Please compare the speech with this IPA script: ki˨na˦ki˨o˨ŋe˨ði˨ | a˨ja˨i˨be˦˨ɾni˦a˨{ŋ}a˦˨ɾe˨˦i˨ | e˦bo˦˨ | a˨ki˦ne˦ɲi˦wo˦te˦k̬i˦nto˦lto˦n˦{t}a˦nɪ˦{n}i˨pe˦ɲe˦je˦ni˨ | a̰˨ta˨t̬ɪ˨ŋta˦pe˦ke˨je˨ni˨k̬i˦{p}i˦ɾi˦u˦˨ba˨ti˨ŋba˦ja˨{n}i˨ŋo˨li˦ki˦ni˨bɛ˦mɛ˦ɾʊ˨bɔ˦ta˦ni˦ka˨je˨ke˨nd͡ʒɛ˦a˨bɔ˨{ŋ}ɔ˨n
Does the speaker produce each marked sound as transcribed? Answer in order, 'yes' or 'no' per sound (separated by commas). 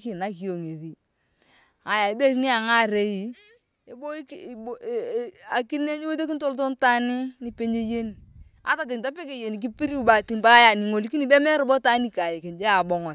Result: yes, yes, yes, yes, yes, yes